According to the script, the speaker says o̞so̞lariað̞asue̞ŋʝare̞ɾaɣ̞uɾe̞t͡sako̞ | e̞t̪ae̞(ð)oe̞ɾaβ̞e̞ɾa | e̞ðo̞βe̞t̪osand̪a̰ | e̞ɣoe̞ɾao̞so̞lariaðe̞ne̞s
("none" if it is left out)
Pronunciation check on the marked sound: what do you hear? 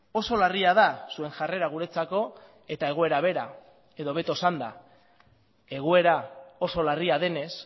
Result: ɣ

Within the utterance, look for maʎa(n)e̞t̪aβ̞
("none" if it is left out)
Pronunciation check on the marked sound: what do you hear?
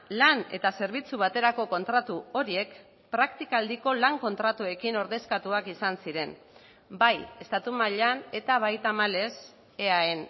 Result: n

